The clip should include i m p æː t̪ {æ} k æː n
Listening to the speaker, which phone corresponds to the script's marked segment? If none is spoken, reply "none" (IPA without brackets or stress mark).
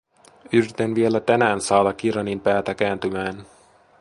æ